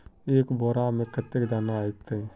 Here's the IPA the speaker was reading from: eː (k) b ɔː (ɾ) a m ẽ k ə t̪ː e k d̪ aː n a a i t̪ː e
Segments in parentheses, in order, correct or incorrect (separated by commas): correct, correct